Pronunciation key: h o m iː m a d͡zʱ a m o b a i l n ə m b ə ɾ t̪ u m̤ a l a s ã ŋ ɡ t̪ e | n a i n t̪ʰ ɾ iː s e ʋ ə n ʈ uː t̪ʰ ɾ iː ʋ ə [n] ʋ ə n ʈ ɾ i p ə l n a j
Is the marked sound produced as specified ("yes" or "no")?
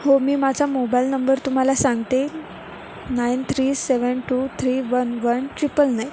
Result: yes